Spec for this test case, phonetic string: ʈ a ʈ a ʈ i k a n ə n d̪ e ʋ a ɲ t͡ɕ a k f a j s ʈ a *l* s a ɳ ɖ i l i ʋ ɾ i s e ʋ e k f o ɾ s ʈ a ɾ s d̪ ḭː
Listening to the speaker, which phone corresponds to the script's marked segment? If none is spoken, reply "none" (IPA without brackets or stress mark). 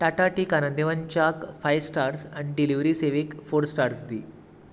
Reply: ɾ